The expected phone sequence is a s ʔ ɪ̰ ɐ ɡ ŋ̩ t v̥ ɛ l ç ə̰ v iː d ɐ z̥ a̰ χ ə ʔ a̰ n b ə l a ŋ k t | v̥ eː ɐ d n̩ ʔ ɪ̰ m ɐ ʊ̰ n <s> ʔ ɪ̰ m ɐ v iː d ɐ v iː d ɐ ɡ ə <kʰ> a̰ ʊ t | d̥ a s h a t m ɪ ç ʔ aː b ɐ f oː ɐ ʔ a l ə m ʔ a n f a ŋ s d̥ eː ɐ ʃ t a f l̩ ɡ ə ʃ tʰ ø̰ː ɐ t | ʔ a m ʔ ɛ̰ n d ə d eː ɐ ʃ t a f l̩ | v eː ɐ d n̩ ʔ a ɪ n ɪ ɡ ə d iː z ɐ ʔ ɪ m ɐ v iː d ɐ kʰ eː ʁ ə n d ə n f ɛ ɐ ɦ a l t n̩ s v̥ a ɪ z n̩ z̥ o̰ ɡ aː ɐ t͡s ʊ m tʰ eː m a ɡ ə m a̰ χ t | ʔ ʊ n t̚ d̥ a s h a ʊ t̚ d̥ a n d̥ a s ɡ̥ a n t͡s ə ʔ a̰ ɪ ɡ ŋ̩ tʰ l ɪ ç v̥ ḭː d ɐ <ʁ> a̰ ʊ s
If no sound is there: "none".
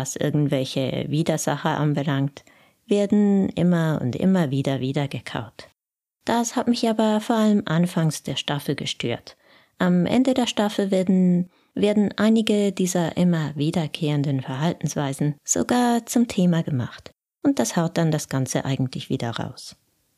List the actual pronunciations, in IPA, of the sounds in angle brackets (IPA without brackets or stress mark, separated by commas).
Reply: t, kʰ, ʁ